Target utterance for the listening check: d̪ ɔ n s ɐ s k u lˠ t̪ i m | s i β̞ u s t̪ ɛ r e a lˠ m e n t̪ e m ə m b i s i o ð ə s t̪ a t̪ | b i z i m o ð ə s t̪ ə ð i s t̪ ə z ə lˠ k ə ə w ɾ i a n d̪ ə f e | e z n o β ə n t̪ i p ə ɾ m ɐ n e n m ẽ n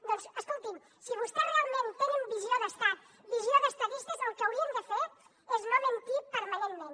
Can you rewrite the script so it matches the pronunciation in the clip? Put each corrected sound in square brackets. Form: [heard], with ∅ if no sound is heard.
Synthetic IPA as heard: d̪ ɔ n s [ə] s k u lˠ t̪ i m | s i β̞ u s t̪ ɛ r e a lˠ m e n t̪ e [n] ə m b i [z] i o ð ə s t̪ a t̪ | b i z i [∅] o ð ə s t̪ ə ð i s t̪ ə z ə lˠ k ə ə w ɾ i [ə] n d̪ ə f e | e z n o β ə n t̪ i p ə ɾ m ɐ n e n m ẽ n